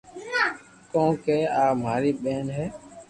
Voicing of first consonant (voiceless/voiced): voiceless